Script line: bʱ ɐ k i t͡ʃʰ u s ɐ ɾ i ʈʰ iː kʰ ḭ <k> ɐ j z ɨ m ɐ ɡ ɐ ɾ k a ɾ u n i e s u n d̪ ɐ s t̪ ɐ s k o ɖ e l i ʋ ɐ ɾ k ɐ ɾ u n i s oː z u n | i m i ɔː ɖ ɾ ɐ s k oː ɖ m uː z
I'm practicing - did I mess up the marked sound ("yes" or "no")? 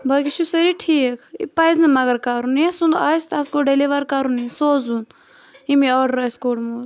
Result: yes